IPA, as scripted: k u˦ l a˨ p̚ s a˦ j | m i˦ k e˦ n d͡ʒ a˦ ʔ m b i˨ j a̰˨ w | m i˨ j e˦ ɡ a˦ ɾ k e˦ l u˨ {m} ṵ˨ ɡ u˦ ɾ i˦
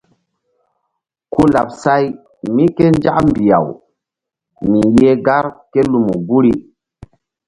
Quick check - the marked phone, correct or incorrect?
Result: correct